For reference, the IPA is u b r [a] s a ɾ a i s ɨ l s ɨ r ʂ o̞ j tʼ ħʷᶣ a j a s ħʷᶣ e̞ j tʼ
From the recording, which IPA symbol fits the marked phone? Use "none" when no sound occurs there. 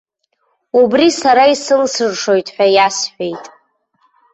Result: i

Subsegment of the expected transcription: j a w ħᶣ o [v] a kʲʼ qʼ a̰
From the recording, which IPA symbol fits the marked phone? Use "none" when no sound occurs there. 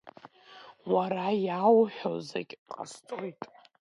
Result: z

